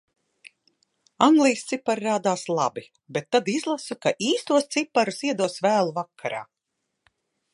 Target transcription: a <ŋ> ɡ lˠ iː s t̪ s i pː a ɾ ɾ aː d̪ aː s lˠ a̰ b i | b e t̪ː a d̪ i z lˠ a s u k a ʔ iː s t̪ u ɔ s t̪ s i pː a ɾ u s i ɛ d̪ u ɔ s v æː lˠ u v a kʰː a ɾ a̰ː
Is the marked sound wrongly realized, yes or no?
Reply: no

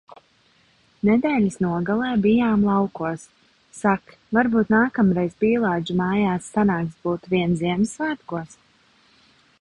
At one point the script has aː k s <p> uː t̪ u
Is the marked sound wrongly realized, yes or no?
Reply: yes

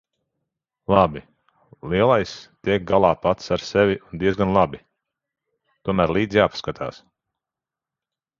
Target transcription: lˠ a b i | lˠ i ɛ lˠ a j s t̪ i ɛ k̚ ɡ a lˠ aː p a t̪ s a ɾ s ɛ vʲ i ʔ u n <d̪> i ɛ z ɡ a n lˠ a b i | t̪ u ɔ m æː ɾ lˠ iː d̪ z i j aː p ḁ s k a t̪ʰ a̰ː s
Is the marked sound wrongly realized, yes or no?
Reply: no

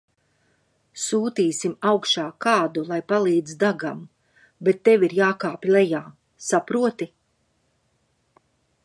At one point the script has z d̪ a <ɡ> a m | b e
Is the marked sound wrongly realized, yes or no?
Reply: no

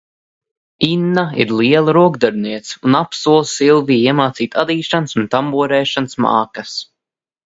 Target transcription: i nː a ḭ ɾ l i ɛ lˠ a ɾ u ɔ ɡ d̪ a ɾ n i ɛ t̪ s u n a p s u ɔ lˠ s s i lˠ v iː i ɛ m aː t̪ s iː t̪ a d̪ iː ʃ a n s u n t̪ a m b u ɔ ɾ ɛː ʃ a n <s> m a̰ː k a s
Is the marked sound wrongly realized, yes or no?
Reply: no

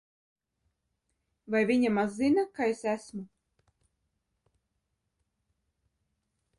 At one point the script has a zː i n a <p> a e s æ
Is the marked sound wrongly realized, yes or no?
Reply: yes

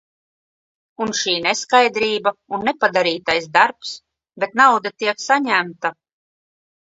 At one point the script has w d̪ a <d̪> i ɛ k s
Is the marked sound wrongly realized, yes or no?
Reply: yes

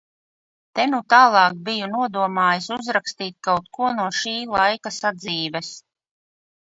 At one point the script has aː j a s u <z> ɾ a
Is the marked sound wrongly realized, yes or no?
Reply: no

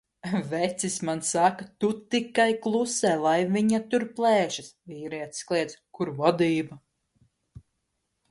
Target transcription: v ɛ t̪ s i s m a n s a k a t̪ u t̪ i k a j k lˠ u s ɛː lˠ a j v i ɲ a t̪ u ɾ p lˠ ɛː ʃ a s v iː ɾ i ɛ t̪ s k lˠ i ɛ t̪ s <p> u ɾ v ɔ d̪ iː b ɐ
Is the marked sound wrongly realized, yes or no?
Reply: yes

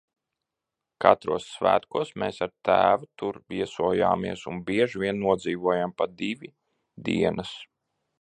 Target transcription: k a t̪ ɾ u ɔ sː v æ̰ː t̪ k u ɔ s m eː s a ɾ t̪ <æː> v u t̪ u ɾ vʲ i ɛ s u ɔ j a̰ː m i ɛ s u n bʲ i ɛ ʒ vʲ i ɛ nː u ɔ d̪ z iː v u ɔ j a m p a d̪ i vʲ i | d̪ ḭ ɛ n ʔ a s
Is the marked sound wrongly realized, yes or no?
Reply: no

